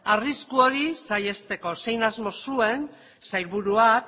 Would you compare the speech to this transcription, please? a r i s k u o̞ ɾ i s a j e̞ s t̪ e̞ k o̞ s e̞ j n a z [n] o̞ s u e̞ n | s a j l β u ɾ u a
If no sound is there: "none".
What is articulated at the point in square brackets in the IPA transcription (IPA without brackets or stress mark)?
m